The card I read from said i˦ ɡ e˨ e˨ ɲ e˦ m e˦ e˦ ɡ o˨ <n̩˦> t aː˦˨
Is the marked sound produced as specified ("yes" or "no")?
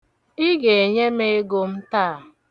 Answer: no